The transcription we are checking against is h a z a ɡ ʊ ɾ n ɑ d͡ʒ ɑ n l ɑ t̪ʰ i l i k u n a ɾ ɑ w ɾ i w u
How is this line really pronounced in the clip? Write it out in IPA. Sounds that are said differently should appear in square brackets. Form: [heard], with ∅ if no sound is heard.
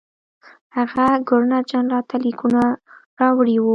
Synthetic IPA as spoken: h a [ɣ] a ɡ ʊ ɾ n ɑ d͡ʒ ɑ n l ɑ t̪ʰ [a] l i k u n a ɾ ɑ w [ɽ] i w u